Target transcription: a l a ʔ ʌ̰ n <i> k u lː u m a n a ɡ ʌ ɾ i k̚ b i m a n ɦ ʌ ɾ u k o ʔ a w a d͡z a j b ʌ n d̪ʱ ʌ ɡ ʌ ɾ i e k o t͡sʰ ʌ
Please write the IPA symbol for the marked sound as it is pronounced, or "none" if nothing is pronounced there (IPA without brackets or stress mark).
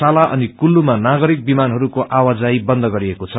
i